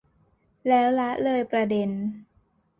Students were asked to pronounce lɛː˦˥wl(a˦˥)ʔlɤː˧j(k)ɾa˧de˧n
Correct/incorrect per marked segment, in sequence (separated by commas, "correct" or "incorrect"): correct, incorrect